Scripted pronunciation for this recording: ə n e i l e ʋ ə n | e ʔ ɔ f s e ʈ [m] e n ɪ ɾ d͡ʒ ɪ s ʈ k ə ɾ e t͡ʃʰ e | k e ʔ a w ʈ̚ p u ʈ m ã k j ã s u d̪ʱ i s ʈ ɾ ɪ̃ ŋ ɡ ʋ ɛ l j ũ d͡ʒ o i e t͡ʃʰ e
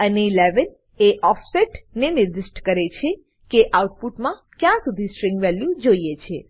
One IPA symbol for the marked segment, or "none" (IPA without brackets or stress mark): n